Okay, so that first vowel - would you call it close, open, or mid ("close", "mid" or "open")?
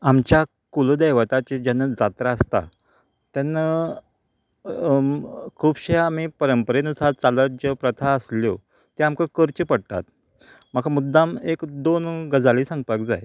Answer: open